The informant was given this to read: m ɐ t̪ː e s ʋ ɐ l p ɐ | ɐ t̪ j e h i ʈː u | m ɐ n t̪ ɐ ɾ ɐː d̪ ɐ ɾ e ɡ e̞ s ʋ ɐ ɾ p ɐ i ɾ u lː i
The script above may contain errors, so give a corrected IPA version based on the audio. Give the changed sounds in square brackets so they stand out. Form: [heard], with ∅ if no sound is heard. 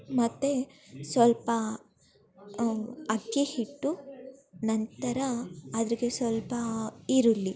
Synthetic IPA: m ɐ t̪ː e s ʋ ɐ l p ɐ | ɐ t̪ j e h i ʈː u | [n] ɐ n t̪ ɐ ɾ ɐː d̪ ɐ ɾ [i] ɡ e̞ s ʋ ɐ [l] p ɐ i ɾ u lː i